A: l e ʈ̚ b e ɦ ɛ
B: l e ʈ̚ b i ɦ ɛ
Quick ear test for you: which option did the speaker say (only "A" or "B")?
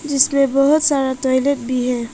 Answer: B